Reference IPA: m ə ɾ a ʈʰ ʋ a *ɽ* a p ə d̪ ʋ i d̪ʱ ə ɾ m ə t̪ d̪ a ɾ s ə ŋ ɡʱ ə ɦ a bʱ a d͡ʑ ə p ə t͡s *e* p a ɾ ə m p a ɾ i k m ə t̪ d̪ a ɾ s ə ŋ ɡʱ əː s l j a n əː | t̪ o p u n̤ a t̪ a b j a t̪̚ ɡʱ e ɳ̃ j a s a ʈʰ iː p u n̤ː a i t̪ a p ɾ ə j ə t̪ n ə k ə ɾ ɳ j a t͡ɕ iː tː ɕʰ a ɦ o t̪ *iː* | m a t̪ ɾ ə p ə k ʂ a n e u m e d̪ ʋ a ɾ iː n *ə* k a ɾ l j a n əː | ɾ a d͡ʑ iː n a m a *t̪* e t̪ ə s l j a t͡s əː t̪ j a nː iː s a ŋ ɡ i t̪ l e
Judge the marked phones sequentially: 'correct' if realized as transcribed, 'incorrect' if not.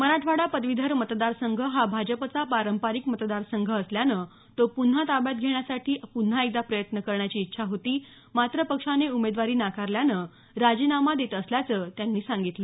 correct, incorrect: a, correct, incorrect: a, incorrect: d̪

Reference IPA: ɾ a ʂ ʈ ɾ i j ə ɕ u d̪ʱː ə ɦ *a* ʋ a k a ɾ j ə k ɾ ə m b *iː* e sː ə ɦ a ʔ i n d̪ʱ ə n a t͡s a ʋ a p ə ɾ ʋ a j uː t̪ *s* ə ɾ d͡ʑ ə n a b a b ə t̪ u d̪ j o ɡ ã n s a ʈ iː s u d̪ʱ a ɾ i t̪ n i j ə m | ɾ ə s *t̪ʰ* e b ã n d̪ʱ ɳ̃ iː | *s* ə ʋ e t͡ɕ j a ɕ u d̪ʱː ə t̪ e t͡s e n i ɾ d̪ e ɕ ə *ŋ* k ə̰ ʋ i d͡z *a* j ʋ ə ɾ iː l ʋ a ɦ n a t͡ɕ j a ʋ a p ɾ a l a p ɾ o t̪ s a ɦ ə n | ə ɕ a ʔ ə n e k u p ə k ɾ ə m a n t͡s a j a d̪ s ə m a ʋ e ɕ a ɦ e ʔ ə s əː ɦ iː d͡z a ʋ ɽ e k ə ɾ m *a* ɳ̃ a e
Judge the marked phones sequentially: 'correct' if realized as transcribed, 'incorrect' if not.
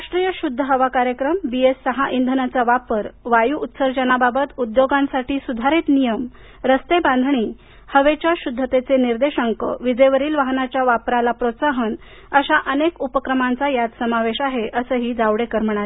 incorrect: ə, incorrect: i, correct, incorrect: t̪, incorrect: h, correct, incorrect: ə, incorrect: ə

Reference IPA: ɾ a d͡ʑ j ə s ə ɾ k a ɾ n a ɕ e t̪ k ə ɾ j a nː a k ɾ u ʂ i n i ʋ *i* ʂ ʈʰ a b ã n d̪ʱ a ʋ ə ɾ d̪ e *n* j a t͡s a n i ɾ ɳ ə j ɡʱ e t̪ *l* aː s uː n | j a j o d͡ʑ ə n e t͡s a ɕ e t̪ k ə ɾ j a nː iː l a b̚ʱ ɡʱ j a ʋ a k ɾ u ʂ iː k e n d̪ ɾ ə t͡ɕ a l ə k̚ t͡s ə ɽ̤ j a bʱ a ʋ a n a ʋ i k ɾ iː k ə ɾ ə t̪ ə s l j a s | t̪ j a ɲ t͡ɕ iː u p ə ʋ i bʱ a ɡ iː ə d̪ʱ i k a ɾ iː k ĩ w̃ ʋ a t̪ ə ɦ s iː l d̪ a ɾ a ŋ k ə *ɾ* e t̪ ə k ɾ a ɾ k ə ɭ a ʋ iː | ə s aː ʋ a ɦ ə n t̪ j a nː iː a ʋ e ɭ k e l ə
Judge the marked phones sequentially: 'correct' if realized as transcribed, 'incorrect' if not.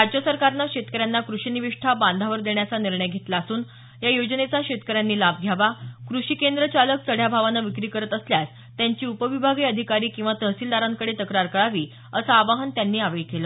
correct, incorrect: ɳ, correct, incorrect: ɽ

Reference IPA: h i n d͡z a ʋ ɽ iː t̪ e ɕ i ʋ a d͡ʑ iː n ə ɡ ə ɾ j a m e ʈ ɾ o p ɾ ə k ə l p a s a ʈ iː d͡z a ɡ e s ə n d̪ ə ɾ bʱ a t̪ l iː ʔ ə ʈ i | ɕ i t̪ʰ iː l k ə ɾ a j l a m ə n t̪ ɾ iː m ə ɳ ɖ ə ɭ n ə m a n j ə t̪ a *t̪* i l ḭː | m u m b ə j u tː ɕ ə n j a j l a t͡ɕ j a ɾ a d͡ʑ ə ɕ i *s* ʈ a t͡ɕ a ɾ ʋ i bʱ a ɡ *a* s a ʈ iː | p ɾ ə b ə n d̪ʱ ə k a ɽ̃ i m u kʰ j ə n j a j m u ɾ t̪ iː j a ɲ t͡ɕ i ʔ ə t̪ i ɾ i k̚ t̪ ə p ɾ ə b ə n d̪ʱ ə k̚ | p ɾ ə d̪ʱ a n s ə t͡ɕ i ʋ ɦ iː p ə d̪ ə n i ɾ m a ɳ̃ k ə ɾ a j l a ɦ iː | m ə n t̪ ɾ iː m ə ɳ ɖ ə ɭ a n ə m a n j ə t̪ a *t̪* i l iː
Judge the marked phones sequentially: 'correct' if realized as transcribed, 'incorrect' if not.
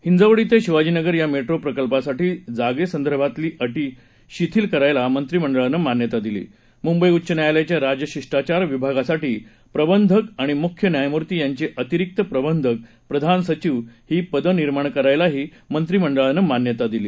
incorrect: d̪, incorrect: ʂ, correct, incorrect: d̪

